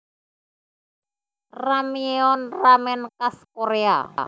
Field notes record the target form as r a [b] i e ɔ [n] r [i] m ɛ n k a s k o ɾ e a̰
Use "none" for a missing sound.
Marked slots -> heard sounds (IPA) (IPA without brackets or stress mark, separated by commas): m, n, a